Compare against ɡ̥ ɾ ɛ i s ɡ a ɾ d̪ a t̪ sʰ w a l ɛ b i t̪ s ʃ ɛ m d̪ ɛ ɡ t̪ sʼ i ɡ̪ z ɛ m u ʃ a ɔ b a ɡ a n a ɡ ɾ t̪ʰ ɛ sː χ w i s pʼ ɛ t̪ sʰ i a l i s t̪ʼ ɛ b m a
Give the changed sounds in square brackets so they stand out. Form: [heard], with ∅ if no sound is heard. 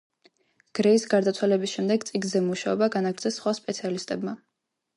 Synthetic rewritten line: ɡ̥ ɾ ɛ i s ɡ a ɾ d̪ a t̪ sʰ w a l ɛ b i [∅] s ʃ ɛ m d̪ ɛ ɡ t̪ sʼ i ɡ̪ z ɛ m u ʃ a ɔ b a ɡ a n a ɡ ɾ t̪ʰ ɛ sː χ w [a] s pʼ ɛ t̪ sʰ i a l i s t̪ʼ ɛ b m a